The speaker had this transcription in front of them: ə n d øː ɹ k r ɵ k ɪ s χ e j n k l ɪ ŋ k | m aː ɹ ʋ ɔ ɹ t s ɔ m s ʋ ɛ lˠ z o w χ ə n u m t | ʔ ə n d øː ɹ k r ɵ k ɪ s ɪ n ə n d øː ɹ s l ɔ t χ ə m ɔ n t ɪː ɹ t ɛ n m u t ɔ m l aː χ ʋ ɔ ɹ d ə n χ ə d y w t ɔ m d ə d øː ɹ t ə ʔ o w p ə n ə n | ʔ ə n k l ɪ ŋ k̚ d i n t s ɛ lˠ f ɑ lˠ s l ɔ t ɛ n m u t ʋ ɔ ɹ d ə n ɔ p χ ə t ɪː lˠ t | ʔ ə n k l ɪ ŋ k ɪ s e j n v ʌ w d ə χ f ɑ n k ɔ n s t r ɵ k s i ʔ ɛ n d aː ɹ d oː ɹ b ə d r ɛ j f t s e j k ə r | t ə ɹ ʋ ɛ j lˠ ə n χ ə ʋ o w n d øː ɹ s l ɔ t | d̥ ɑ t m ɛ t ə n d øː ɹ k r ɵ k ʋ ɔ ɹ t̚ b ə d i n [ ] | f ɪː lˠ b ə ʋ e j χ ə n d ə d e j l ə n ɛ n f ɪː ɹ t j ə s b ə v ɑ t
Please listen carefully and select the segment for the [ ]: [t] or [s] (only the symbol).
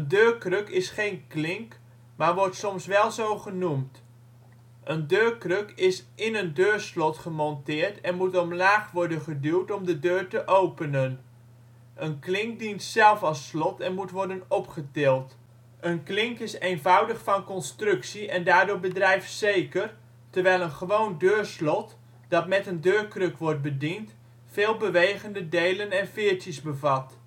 t